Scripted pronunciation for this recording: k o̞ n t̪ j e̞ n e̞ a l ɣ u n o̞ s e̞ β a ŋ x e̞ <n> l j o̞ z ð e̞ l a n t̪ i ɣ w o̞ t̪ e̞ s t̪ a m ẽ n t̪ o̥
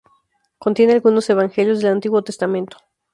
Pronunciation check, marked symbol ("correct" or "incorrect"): incorrect